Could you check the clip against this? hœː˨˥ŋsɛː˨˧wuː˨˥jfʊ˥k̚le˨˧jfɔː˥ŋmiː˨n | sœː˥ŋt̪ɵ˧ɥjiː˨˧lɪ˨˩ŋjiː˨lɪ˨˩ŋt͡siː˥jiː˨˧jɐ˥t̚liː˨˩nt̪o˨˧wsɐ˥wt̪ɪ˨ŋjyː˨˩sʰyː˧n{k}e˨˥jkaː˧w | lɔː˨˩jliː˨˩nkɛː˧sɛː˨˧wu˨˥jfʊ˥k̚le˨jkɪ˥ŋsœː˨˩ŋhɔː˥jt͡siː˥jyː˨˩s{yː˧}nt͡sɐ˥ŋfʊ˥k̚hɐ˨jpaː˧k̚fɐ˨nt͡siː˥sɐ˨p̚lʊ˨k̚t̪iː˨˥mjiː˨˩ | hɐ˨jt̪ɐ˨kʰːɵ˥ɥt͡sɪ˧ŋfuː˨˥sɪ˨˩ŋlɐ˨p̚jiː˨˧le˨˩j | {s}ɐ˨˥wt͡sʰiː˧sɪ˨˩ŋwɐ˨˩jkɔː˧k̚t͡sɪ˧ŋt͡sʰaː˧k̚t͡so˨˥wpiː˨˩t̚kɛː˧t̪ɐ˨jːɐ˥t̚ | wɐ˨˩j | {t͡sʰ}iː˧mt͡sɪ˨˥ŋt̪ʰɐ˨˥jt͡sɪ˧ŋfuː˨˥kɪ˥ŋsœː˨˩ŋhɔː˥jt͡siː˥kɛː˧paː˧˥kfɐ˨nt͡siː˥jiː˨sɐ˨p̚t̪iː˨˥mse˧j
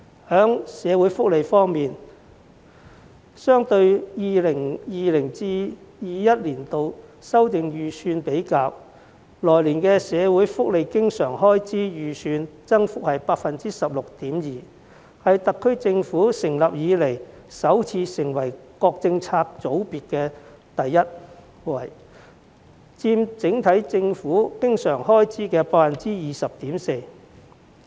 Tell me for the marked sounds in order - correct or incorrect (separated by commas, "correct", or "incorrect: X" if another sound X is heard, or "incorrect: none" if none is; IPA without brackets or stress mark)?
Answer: incorrect: p, correct, correct, incorrect: t͡s